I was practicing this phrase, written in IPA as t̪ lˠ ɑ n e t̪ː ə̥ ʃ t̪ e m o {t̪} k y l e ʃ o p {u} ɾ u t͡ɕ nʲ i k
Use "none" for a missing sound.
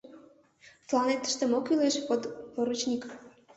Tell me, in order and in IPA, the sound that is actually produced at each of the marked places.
none, o

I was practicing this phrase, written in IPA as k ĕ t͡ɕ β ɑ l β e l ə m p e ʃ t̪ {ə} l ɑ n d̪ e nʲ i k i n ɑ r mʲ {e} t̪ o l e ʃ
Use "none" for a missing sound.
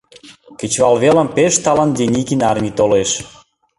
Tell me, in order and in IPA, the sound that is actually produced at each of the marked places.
ɑ, i

